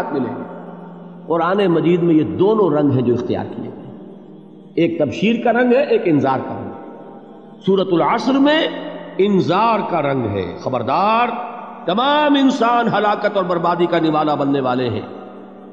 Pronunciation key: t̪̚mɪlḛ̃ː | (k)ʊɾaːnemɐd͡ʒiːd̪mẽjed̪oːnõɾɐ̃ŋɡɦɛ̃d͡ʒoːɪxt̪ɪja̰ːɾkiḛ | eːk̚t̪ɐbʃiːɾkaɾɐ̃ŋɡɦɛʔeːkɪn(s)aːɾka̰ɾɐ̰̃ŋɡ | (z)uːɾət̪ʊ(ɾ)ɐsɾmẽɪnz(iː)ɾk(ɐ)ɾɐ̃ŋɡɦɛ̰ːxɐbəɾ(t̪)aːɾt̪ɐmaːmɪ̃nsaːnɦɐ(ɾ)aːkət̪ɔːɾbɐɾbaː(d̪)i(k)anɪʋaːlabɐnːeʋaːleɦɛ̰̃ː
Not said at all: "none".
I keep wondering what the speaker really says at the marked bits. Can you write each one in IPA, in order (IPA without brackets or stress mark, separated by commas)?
q, z, s, l, aː, a, d̪, l, d̪, k